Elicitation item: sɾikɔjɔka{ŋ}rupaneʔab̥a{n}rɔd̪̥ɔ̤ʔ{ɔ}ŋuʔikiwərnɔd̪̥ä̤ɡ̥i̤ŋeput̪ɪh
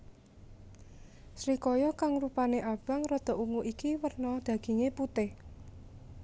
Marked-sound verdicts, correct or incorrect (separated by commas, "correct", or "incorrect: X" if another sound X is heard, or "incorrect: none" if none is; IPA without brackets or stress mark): correct, incorrect: ŋ, incorrect: u